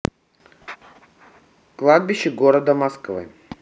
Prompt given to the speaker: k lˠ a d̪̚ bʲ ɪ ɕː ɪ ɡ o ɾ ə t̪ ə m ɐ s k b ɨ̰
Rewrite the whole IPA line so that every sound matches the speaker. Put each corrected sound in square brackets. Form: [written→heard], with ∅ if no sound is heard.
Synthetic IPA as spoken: k lˠ a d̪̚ bʲ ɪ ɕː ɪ ɡ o ɾ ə [t̪→d̪] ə m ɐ s k [b→v] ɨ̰